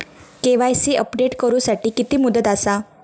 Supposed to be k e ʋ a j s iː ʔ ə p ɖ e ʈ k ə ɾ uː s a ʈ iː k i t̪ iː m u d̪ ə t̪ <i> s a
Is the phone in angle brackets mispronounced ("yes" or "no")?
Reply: yes